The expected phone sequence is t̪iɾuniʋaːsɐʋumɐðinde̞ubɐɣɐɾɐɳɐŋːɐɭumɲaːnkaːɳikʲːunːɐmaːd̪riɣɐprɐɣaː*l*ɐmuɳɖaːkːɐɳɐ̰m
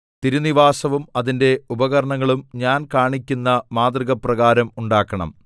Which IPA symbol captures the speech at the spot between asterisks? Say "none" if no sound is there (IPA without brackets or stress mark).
ɾ